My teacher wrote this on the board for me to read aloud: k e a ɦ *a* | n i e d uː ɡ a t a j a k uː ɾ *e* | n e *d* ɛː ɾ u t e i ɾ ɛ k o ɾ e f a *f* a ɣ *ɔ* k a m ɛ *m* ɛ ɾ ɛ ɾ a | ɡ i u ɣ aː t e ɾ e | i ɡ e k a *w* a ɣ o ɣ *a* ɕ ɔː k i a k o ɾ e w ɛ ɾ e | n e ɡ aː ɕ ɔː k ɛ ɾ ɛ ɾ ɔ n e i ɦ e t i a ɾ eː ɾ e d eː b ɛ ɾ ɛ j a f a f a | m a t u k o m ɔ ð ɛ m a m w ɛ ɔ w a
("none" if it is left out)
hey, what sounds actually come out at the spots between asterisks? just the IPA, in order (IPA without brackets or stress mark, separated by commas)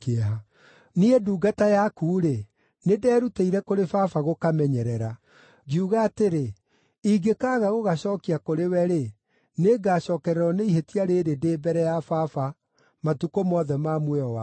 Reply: a, e, d, f, o, ɲ, ɣ, a